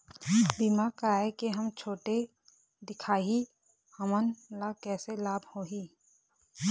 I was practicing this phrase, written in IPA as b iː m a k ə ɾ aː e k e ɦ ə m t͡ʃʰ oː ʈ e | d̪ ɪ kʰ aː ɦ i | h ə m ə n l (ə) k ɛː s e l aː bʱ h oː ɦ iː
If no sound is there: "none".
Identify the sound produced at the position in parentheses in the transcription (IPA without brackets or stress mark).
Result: a